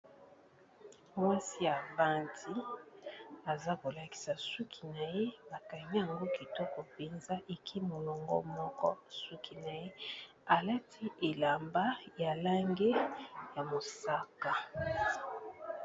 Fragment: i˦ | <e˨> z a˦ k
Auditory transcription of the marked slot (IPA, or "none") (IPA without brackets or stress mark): a˨